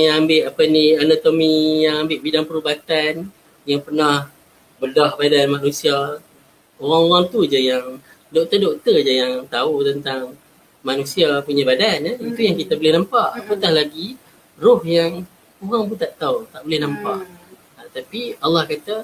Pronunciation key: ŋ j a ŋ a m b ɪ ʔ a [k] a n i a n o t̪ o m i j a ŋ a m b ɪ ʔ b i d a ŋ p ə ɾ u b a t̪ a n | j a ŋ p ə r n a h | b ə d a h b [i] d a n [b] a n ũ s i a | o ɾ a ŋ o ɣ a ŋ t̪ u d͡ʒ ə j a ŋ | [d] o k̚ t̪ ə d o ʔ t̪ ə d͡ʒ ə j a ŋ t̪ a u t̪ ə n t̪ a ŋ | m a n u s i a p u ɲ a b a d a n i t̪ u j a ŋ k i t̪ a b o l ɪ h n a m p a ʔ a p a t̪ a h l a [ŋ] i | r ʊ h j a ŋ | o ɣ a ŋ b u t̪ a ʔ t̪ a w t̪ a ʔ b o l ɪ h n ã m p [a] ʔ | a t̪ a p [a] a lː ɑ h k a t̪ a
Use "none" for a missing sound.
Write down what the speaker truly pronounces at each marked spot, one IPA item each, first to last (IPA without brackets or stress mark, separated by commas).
p, a, m, d, ɡ, a, i